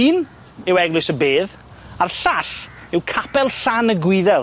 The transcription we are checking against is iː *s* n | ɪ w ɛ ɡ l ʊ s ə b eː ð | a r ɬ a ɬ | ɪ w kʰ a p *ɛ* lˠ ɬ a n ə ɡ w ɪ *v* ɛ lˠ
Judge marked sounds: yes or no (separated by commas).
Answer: no, yes, no